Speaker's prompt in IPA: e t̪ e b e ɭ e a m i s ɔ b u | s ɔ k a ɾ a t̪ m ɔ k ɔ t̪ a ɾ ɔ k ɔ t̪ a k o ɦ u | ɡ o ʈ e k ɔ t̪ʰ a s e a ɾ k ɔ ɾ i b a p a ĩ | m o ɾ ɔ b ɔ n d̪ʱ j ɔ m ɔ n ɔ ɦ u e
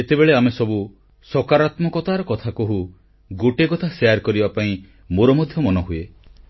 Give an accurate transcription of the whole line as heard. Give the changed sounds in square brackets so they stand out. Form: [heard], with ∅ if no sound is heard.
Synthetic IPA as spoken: e t̪ e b e ɭ e a m [e] s ɔ b u | s ɔ k a ɾ a t̪ m ɔ k ɔ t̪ a ɾ ɔ k ɔ [t̪ʰ] a k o ɦ u | ɡ o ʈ e k ɔ t̪ʰ a s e a ɾ k ɔ ɾ i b a p a ĩ | m o ɾ ɔ [m] ɔ [∅] d̪ʱ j ɔ m ɔ n ɔ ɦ u e